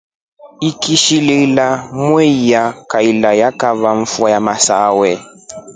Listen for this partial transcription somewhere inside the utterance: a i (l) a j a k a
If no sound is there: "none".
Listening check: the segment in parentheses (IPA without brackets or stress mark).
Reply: l